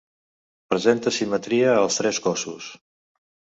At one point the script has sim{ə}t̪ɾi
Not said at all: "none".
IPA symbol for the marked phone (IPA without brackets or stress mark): ə